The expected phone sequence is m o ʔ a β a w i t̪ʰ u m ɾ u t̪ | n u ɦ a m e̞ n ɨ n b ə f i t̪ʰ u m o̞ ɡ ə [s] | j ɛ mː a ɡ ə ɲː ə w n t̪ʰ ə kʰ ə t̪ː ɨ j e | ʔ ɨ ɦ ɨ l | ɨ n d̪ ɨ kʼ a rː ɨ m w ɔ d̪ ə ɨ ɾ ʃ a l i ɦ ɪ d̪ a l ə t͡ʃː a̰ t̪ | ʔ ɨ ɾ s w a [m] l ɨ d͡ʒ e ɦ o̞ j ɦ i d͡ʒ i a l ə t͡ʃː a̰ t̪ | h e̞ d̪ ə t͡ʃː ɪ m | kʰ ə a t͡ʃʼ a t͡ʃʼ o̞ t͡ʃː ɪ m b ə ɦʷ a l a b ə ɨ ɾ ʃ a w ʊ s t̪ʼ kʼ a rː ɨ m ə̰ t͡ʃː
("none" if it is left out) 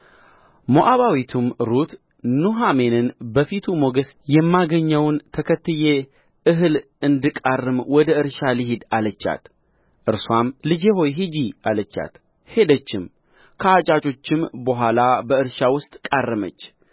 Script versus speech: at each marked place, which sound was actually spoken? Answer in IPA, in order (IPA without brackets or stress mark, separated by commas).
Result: s, m